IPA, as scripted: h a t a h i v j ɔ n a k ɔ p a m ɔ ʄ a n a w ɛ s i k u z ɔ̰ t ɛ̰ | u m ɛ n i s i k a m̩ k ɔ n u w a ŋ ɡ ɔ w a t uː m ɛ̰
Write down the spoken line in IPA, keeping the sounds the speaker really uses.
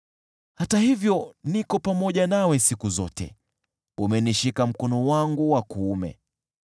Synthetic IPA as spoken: h a t a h i v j ɔ n i k ɔ p a m ɔ ʄ a n a w ɛ s i k u z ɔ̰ t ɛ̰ | u m ɛ n i ʃ i k a m̩ k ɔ n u w a ŋ ɡ u w a k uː m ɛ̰

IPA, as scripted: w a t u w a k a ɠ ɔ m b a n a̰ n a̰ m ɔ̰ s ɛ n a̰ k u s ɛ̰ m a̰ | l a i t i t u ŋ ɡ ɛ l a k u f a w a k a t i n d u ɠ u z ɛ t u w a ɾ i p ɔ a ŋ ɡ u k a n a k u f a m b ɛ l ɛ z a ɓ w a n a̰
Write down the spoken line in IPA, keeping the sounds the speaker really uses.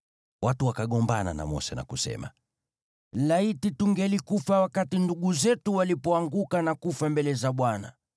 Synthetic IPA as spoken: w a t u w a k a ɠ ɔ m b a n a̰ n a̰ m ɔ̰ s ɛ n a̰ k u s ɛ̰ m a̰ | l a i t i t u ŋ ɡ ɛ l i k u f a w a k a t i n d u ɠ u z ɛ t u w a l i p ɔ a ŋ ɡ u k a n a k u f a m b ɛ l ɛ z a ɓ w a n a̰

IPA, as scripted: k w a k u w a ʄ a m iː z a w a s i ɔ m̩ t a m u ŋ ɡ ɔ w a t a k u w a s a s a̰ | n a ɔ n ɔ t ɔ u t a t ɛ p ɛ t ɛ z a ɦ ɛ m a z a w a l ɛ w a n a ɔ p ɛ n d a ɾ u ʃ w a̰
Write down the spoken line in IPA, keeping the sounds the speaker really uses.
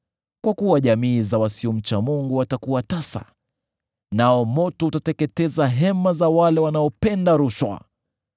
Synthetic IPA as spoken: k w a k u w a ʄ a m iː z a w a s i ɔ m̩ t͡ʃ a m u ŋ ɡ u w a t a k u w a t a s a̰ | n a ɔ m ɔ t ɔ u t a t ɛ k ɛ t ɛ z a ɦ ɛ m a z a w a l ɛ w a n a ɔ p ɛ n d a ɾ u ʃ w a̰

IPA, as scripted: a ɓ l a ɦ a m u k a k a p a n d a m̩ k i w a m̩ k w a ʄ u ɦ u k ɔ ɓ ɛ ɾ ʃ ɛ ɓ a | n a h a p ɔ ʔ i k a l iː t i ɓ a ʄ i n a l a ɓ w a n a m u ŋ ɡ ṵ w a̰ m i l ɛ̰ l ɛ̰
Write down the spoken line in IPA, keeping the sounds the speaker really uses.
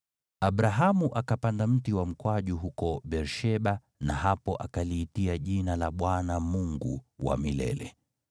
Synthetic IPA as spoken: a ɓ ɾ a ɦ a m u ʔ a k a p a n d a m̩ t i w a m̩ k w a ʄ u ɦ u k ɔ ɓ ɛ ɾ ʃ ɛ ɓ a | n a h a p ɔ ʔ a k a l iː t i a ʄ i n a l a ɓ w a n a m u ŋ ɡ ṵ w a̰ m i l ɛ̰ l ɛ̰

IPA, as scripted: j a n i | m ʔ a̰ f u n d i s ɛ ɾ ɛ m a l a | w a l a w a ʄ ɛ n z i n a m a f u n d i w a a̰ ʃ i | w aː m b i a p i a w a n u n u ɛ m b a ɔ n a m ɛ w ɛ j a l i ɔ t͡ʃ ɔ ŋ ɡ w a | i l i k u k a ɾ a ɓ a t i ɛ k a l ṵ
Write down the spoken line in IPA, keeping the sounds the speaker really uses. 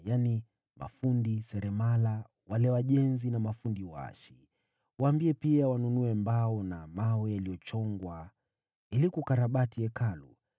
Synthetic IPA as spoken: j a n i | m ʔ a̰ f u n d i s ɛ ɾ ɛ m a l a | w a l ɛ w a ʄ ɛ n z i n a m a f u n d i w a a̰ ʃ i | w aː m b i ɛ p i a w a n u n u ɛ m b a ɔ n a m a w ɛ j a l i ɔ t͡ʃ ɔ ŋ ɡ w a | i l i k u k a ɾ a ɓ a t i ɛ k a l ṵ

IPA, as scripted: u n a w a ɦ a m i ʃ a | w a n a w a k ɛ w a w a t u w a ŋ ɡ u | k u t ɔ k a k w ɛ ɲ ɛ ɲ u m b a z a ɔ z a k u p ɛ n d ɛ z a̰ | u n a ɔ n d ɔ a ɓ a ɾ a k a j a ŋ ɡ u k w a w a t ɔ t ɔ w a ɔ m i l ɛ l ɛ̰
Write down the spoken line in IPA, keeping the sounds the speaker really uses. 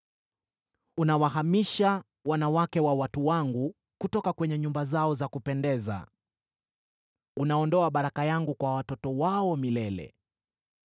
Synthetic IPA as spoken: u n a w a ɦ a m i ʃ a | w a n a w a k ɛ w a w a t u w a ŋ ɡ u | k u t ɔ k a k w ɛ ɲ ɛ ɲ u m b a z a ɔ z a k u p ɛ n d ɛ z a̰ | u n a ɔ n d ɔ a ɓ a ɾ a k a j a ŋ ɡ u k w a w a t ɔ t ɔ w a ɔ m i l ɛ l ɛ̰

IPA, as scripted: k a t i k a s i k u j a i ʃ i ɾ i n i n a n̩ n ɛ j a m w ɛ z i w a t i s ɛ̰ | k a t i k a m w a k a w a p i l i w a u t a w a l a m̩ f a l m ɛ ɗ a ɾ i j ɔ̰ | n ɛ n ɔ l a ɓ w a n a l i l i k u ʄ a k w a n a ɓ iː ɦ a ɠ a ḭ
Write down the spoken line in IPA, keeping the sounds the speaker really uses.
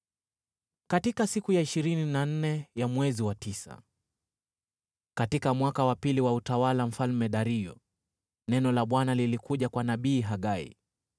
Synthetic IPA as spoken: k a t i k a s i k u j a i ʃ i ɾ i n i n a n̩ n ɛ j a m w ɛ z i w a t i s a̰ | k a t i k a m w a k a w a p i l i w a u t a w a l a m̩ f a l m ɛ ɗ a ɾ i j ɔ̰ | n ɛ n ɔ l a ɓ w a n a l i l i k u ʄ a k w a n a ɓ iː ɦ a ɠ a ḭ

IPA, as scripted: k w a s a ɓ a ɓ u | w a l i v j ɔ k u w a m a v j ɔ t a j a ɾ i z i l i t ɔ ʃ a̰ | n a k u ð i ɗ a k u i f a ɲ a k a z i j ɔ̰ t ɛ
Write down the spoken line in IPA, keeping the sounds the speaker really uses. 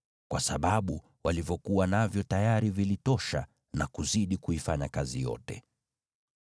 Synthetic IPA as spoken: k w a s a ɓ a ɓ u | w a l i v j ɔ k u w a n a v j ɔ t a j a ɾ i v i l i t ɔ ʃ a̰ | n a k u z i ɗ i k u i f a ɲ a k a z i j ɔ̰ t ɛ

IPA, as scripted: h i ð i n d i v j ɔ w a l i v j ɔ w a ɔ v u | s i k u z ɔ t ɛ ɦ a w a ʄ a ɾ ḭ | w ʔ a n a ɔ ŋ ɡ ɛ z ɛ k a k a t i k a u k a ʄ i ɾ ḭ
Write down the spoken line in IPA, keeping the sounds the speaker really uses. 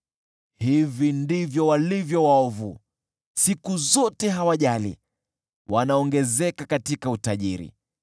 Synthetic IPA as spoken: h i v i n d i v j ɔ w a l i v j ɔ w a ɔ v u | s i k u z ɔ t ɛ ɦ a w a ʄ a l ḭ | w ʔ a n a ɔ ŋ ɡ ɛ z ɛ k a k a t i k a u t a ʄ i ɾ ḭ

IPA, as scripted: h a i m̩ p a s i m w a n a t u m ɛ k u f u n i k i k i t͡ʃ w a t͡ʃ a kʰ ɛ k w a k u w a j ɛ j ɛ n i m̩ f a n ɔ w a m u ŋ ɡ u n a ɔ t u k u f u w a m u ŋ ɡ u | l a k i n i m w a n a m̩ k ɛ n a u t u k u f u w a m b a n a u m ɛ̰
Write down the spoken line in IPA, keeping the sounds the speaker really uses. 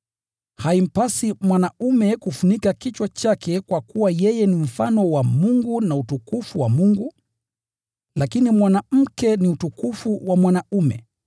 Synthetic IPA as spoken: h a i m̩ p a s i m w a n a u m ɛ k u f u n i k a k i t͡ʃ w a t͡ʃ a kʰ ɛ k w a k u w a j ɛ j ɛ n i m̩ f a n ɔ w a m u ŋ ɡ u n a u t u k u f u w a m u ŋ ɡ u | l a k i n i m w a n a m̩ k ɛ n i u t u k u f u w a m w a n a u m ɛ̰

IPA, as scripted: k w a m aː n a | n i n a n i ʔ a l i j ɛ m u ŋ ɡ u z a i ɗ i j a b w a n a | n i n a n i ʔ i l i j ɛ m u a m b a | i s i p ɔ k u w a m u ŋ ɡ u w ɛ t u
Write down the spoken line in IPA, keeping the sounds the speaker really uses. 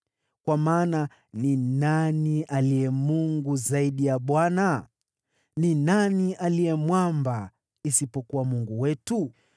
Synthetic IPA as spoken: k w a m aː n a | n i n a n i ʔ a l i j ɛ m u ŋ ɡ u z a i ɗ i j a ɓ w a n a | n i n a n i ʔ a l i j ɛ m w a m b a | i s i p ɔ k u w a m u ŋ ɡ u w ɛ t u

